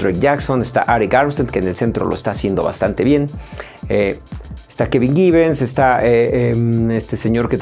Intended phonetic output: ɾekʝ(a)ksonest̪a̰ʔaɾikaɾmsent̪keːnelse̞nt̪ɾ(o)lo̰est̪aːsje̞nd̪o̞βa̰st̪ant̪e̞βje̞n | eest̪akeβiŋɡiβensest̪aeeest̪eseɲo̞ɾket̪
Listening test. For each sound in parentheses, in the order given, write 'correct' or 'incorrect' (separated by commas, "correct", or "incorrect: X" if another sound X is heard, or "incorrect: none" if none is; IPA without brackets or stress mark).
correct, correct